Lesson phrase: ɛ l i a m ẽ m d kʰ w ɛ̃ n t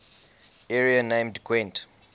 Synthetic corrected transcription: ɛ ɹ i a n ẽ m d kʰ w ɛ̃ n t